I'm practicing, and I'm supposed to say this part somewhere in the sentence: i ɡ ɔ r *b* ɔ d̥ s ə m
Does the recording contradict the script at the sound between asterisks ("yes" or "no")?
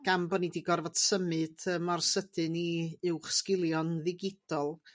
yes